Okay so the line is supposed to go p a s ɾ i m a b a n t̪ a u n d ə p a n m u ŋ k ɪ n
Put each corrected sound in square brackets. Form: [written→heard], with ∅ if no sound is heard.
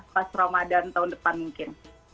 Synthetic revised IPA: p a s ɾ [i→a] m a [b→d] a n t̪ a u n d ə p a n m u ŋ k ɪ n